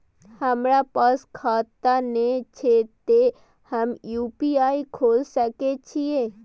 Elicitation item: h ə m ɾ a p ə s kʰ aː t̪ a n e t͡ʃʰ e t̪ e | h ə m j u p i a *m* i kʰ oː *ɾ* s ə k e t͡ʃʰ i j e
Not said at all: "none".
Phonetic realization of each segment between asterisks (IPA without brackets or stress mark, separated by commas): none, l